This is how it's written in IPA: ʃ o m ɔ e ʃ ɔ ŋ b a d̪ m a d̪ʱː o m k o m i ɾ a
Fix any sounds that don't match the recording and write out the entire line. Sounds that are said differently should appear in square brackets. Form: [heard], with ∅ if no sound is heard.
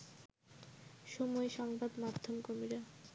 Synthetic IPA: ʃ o m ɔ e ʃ ɔ ŋ b a d̪ m a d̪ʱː o m k o m i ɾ a